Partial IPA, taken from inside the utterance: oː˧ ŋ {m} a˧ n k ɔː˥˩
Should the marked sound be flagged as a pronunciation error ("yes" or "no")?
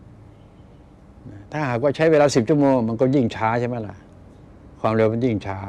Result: no